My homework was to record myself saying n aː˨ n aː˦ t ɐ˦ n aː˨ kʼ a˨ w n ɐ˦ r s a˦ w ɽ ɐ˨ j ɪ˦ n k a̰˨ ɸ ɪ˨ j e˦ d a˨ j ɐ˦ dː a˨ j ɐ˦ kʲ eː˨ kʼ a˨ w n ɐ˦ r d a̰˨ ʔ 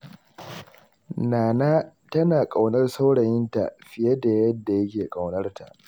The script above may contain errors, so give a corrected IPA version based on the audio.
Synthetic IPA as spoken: n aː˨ n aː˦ t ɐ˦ n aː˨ kʼ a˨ w n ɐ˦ r s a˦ w ɽ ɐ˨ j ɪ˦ n t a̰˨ ɸ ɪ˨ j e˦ d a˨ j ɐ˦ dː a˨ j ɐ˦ kʲ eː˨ kʼ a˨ w n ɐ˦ r t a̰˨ ʔ